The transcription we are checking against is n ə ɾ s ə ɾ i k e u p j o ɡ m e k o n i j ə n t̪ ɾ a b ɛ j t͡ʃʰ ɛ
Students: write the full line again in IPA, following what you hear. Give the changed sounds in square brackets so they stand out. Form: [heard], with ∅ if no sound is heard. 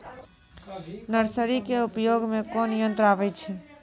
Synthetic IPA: n ə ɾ s ə ɾ i k e u p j o ɡ m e k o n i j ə n t̪ ɾ a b ɛ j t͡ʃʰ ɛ